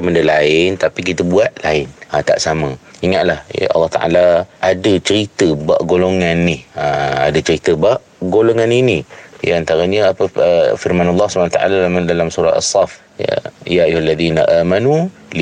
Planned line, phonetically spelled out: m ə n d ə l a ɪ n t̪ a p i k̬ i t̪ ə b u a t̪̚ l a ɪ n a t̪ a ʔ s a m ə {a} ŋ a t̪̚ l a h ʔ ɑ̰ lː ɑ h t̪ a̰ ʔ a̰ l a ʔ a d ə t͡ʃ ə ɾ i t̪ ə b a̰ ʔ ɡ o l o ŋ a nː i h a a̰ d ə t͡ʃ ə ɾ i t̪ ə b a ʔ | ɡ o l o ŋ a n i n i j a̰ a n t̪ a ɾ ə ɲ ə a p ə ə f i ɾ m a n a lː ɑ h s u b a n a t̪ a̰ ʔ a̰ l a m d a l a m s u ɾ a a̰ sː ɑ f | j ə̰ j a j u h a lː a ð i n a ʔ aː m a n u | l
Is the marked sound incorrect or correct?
incorrect